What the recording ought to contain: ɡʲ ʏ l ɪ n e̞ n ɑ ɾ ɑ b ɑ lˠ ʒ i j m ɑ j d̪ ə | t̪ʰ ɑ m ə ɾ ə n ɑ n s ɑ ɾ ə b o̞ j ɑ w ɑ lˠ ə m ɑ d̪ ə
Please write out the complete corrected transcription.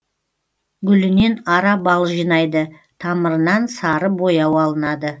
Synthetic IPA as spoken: ɡʲ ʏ l ɪ n e̞ n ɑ ɾ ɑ b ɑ lˠ ʒ i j n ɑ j d̪ ə | t̪ʰ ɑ m ə ɾ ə n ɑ n s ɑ ɾ ə b o̞ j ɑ w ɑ lˠ ə n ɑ d̪ ə